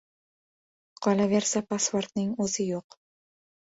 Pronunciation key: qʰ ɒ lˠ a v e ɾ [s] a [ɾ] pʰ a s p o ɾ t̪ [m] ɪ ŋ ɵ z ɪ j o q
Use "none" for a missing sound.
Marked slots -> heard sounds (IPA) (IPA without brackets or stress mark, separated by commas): s, none, n